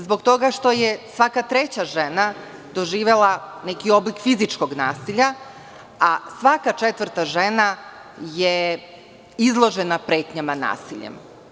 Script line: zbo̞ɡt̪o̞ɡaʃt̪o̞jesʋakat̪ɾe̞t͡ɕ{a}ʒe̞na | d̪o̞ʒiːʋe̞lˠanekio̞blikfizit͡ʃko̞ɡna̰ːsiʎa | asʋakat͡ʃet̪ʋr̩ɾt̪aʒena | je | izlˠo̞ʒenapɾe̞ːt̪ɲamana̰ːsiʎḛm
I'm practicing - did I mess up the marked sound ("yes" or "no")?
no